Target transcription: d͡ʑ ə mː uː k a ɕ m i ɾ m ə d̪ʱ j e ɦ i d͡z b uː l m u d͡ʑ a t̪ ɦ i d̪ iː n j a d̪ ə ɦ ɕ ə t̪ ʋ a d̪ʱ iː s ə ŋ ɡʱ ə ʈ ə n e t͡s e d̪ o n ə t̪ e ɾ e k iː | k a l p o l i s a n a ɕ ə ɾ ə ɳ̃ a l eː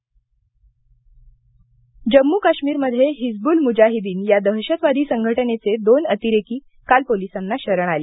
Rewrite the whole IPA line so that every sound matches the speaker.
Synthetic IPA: d͡ʑ ə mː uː k a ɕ m iː ɾ m ə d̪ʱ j e ɦ i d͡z b uː l m u d͡ʑ a ɦ i d̪ iː n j a d̪ ə ɦ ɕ ə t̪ ʋ a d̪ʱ iː s ə ŋ ɡʱ ə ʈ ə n e t͡s e d̪ o n ə t̪ i ɾ e k iː | k a l p o l i s a nː a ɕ ə ɾ ə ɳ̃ a l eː

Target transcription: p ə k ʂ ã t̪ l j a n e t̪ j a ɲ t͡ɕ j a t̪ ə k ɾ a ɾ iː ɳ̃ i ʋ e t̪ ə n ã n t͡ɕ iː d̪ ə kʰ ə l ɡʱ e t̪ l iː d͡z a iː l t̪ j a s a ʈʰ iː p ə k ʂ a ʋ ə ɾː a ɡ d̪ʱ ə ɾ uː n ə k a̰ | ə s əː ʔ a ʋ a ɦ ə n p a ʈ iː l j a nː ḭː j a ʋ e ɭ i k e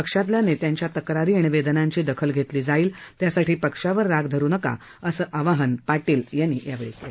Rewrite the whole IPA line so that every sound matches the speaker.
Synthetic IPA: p ə k ʂ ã t̪ l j a n e t̪ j a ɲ t͡ɕ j a t̪ ə k ɾ a ɾ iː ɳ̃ i ʋ e d̪ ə n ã ɲ t͡ɕ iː d̪ ə kʰ ə l ɡʱ e t̪ l iː d͡z a iː l t̪ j a s a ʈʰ iː p ə k ʂ a ʋ ə ɾː a ɡ d̪ʱ ə ɾ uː n ə k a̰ | ə s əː ʔ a ʋ a ɦ ə n p a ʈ iː l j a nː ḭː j a ʋ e ɭ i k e

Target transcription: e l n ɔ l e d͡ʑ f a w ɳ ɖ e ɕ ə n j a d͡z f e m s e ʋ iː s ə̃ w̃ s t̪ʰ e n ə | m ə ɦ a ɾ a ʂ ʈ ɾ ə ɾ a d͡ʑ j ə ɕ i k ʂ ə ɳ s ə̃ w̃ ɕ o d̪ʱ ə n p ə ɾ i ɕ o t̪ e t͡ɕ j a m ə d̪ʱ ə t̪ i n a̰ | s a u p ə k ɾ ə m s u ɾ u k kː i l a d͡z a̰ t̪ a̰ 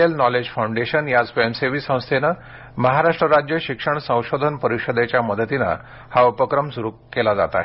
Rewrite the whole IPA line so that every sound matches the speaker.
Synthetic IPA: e l n ɔ l e d͡ʑ f a w ɳ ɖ e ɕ ə n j a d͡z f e m s e ʋ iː s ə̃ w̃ s t̪ʰ e n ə | m ə ɦ a ɾ a ʂ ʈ ɾ ə ɾ a d͡ʑ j ə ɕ i k ʂ ə ɳ s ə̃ w̃ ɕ o d̪ʱ ə n p ə ɾ i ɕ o d̪ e t͡ɕ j a m ə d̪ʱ ə t̪ i n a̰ | h a u p ə k ɾ ə m s u ɾ u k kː e l a d͡z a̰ t̪ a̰

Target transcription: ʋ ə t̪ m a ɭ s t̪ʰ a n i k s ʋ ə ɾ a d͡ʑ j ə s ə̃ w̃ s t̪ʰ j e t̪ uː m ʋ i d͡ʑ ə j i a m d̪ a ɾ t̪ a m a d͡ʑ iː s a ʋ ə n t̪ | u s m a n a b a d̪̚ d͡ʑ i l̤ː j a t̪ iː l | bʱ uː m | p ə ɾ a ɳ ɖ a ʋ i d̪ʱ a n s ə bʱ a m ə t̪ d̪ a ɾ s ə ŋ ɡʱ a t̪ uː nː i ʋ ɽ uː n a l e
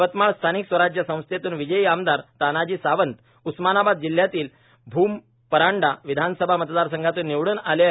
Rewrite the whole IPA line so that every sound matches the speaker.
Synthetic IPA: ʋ ə t̪ m a ɭ s t̪ʰ a n i k s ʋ ə ɾ a d͡ʑ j ə s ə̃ w̃ s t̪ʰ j e t̪ uː n ʋ i d͡ʑ ə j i a m d̪ a ɾ t̪ a n a d͡ʑ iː s a ʋ ə n t̪ | u s m a n a b a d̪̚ d͡ʑ i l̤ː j a t̪ iː l | bʱ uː m | p ə ɾ a ɳ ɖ a ʋ i d̪ʱ a n s ə bʱ a m ə t̪ d̪ a ɾ s ə ŋ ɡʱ a t̪ uː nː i ʋ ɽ uː n a l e

